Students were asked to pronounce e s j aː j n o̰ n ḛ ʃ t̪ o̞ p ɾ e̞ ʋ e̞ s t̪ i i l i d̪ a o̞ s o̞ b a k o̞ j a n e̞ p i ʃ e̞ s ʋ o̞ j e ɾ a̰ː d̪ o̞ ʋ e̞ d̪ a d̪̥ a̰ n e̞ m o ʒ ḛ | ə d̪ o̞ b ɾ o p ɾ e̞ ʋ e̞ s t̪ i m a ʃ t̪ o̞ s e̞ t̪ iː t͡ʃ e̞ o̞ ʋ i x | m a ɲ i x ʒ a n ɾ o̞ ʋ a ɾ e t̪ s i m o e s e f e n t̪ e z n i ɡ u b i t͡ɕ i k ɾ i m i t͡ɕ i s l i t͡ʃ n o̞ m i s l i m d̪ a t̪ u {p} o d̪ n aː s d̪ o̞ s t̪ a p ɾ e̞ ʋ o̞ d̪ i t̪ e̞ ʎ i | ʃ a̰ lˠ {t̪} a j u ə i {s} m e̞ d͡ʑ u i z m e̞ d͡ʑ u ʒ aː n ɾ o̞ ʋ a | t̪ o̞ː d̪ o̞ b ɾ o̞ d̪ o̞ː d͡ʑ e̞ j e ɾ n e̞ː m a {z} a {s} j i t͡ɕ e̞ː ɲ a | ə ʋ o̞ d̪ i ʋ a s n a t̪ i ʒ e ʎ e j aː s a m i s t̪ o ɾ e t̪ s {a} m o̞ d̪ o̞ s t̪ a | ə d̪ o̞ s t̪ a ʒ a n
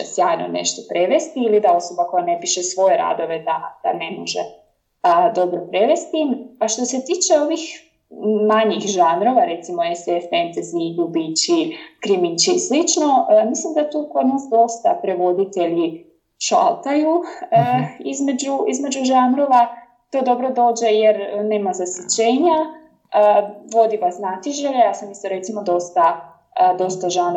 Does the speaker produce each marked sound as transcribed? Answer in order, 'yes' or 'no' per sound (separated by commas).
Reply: no, yes, no, yes, yes, no